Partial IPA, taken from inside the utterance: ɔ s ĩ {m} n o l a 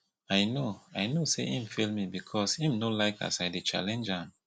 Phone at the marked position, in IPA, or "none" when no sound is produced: m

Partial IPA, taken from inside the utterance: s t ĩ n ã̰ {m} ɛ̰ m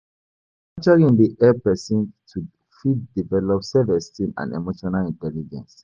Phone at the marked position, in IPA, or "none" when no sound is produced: n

